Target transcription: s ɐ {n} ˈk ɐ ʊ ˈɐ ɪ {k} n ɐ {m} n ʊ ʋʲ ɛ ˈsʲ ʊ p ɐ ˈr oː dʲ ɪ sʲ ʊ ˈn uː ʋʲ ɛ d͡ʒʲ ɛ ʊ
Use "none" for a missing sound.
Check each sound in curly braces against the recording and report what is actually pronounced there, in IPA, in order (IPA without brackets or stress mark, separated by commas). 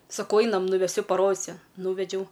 none, none, m